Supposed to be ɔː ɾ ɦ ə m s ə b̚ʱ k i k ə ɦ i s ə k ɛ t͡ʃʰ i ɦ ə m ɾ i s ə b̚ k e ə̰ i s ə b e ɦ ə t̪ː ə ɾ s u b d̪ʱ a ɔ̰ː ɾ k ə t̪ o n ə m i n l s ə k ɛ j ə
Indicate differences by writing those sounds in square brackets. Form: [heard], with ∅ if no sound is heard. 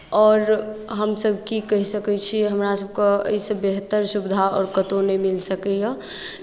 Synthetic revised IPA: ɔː ɾ ɦ ə m s ə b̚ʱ k i k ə ɦ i s ə k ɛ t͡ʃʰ i ɦ ə m ɾ [a] s ə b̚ k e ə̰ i s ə b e ɦ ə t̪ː ə ɾ s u b d̪ʱ a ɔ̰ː ɾ k ə t̪ o n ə m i [∅] l s ə k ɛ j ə